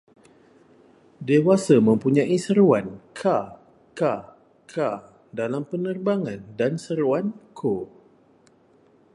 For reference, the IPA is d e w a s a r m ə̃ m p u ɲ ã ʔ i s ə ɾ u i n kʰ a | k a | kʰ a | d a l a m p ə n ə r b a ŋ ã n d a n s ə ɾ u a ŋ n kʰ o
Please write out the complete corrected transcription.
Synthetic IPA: d e w a s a m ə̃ m p u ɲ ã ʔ i s ə ɾ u a n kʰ a | k a | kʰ a | d a l a m p ə n ə r b a ŋ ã n d a n s ə ɾ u a n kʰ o